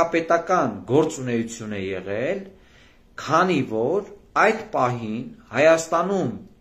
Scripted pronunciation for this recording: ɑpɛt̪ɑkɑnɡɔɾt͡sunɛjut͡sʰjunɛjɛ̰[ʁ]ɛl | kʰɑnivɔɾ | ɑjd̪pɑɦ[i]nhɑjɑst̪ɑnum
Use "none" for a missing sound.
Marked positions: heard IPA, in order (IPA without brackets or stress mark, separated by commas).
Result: ʁ, i